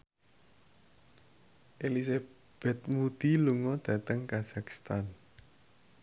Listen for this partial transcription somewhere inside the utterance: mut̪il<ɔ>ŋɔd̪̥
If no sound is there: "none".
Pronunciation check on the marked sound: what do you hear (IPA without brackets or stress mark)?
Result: u